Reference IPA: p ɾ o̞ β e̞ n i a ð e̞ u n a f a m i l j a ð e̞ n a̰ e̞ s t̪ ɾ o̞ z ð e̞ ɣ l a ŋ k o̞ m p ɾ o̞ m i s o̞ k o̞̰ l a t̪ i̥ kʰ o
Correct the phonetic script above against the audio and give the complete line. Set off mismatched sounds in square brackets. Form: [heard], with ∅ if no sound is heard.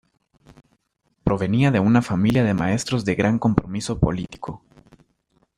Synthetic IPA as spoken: p ɾ o̞ β e̞ n i a ð e̞ u n a f a m i l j a ð e̞ [m] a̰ e̞ s t̪ ɾ o̞ z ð e̞ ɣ [ɾ] a ŋ k o̞ m p ɾ o̞ m i s o̞ [p] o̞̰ l [i] t̪ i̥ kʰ o